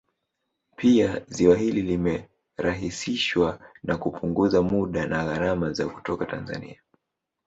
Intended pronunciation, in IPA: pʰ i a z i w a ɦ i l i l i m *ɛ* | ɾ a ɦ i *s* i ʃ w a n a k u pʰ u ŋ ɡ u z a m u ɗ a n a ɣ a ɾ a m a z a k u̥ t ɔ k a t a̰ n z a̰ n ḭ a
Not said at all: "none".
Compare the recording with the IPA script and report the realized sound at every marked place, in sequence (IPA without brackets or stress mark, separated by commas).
ɛ, s